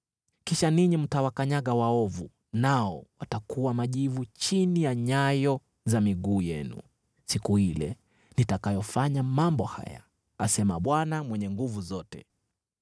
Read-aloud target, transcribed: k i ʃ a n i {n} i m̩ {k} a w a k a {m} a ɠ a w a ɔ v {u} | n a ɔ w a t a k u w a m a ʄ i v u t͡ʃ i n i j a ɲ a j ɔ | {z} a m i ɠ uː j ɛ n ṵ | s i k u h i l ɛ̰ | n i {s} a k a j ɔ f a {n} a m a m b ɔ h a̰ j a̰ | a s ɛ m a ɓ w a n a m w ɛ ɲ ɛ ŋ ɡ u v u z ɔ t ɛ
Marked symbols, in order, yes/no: no, no, no, yes, yes, no, no

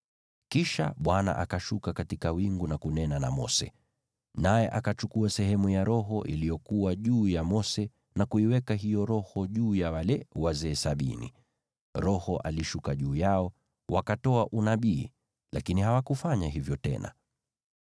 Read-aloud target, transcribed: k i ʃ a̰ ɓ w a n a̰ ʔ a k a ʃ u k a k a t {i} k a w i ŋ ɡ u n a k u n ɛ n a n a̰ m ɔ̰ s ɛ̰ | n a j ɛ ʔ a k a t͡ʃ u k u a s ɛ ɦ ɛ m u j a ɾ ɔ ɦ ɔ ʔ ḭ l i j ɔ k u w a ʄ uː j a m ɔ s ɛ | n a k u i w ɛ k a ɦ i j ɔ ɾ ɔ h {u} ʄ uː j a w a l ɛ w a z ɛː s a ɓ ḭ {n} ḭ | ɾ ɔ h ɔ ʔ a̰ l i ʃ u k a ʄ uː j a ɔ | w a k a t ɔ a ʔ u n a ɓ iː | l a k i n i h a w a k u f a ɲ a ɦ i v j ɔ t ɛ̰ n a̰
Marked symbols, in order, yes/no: yes, no, yes

